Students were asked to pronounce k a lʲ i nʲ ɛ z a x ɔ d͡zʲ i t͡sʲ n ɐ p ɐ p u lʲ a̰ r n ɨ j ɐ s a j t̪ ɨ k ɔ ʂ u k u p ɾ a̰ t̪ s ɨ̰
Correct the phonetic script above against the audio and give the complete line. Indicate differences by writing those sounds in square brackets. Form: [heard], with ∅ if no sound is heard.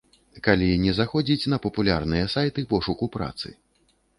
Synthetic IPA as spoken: k a lʲ i nʲ ɛ z a x ɔ d͡zʲ i t͡sʲ n ɐ p ɐ p u lʲ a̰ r n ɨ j ɐ s a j t̪ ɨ [p] ɔ ʂ u k u p ɾ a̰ t̪ s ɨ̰